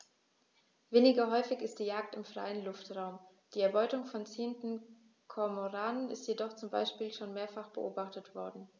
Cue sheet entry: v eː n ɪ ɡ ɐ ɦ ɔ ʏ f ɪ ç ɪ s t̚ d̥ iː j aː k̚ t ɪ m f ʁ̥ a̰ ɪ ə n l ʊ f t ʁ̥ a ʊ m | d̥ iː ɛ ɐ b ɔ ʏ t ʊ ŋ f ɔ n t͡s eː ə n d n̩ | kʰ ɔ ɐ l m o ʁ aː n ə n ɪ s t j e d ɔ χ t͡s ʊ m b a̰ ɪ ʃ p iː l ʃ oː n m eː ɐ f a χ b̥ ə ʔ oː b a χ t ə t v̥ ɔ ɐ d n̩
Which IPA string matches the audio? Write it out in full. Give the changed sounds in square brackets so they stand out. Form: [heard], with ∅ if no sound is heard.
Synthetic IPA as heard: v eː n ɪ ɡ ɐ ɦ ɔ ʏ f ɪ ç ɪ s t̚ d̥ iː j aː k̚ t ɪ m f ʁ̥ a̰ ɪ ə n l ʊ f t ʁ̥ a ʊ m | d̥ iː ɛ ɐ b ɔ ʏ t ʊ ŋ f ɔ n t͡s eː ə n [t] n̩ | kʰ ɔ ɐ [∅] m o ʁ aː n ə n ɪ s t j e d ɔ χ t͡s ʊ m b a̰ ɪ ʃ p iː l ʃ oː n m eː ɐ f a χ b̥ ə ʔ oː b a χ t ə t v̥ ɔ ɐ d n̩